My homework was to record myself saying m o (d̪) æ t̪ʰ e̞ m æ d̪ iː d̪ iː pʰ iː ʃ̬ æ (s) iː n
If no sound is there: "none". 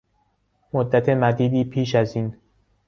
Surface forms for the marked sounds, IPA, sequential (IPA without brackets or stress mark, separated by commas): d̪ː, z